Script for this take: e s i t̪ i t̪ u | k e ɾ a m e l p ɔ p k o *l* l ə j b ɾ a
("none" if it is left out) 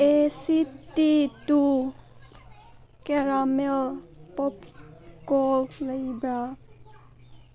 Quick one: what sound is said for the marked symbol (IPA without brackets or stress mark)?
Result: l